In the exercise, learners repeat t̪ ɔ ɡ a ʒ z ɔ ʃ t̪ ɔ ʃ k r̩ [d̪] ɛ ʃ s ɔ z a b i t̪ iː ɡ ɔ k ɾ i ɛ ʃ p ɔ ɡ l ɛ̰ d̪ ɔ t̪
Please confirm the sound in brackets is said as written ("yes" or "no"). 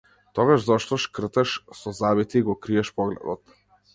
no